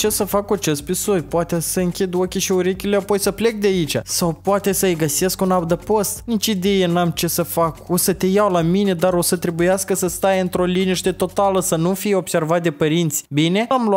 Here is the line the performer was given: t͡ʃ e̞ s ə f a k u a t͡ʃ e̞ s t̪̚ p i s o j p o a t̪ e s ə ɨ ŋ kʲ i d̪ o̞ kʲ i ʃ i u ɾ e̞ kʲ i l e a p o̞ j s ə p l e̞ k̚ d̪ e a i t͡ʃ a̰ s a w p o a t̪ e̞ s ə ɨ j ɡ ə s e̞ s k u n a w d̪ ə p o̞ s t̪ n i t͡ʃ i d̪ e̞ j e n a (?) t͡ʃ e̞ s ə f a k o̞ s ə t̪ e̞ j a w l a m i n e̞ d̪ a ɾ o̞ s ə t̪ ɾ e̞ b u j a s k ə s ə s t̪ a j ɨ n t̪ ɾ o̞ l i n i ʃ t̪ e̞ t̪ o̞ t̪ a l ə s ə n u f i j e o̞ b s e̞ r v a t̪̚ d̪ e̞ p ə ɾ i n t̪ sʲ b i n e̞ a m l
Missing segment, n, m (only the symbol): m